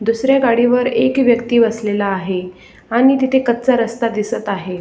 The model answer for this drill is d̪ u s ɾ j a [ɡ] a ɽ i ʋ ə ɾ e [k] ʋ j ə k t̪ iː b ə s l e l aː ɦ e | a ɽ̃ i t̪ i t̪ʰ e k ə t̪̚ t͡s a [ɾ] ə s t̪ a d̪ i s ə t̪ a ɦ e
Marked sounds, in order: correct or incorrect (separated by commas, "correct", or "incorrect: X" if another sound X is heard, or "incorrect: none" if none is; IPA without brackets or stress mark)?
correct, correct, correct